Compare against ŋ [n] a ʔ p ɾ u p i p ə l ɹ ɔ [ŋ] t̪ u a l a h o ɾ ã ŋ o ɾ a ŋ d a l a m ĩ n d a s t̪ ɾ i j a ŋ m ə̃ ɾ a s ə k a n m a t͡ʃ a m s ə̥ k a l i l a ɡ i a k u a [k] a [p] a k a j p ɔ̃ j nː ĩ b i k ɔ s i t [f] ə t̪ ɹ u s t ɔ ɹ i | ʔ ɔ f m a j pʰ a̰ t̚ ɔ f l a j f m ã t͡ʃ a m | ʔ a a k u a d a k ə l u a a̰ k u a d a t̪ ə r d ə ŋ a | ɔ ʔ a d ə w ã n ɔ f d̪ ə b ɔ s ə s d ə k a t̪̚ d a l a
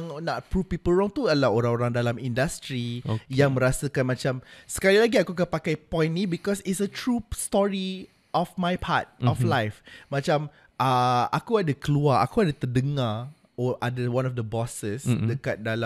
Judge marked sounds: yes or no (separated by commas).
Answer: yes, yes, yes, yes, no